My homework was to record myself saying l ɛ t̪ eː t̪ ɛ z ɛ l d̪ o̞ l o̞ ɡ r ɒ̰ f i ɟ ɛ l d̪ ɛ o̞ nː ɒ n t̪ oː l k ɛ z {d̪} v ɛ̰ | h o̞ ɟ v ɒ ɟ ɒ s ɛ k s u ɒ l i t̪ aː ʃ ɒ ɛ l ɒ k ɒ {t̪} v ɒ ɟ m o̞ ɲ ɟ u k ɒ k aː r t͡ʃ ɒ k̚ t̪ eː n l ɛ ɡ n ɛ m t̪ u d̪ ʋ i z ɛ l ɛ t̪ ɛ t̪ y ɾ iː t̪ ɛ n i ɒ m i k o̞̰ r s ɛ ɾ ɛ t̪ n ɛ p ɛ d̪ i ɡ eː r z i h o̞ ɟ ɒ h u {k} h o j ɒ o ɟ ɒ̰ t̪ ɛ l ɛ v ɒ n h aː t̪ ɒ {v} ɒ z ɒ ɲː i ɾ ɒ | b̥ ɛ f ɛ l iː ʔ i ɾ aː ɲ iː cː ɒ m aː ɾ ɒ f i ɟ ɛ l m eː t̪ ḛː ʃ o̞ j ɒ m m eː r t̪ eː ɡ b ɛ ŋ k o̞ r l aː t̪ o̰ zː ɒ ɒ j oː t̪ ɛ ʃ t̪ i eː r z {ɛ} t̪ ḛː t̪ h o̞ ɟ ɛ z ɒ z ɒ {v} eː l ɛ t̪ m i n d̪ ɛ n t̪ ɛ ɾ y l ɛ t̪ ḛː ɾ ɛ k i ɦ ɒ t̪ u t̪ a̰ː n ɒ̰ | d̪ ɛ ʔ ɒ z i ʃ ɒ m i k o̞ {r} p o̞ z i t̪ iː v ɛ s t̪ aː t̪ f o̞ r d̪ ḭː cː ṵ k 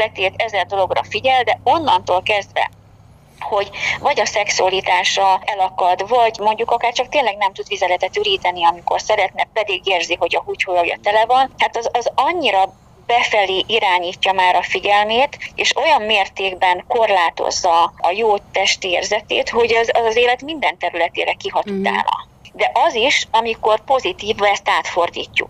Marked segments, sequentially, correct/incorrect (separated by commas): correct, incorrect, incorrect, incorrect, correct, incorrect, correct